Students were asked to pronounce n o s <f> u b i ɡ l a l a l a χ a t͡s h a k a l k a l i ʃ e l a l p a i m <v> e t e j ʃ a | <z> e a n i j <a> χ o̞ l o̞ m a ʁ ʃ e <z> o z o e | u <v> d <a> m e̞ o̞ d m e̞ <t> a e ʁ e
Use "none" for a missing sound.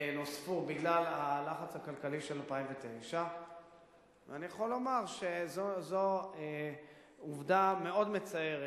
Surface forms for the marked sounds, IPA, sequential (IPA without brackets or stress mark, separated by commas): f, v, v, a, z, v, a, t͡s